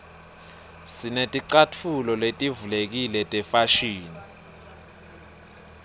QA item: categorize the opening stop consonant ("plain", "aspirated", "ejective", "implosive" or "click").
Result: ejective